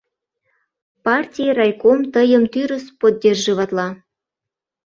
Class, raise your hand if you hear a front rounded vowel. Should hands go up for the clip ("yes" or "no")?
yes